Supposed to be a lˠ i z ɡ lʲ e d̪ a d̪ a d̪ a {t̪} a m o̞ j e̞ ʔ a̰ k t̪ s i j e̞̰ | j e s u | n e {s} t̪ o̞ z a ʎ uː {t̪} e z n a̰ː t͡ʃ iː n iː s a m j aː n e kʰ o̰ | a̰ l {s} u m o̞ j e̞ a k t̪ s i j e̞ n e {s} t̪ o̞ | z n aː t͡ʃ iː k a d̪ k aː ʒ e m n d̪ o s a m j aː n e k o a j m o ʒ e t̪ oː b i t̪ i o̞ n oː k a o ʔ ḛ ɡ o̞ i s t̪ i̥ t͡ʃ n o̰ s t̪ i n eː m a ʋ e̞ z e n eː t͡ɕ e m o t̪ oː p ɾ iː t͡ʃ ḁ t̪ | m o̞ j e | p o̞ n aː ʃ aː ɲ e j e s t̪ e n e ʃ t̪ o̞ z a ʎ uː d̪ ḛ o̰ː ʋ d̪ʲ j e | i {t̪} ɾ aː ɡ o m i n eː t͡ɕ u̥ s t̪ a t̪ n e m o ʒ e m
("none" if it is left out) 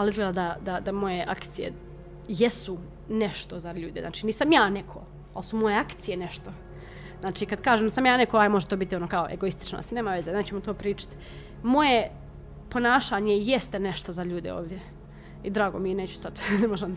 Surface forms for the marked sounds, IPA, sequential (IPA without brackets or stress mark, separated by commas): d̪, ʃ, d̪, s, ʃ, d̪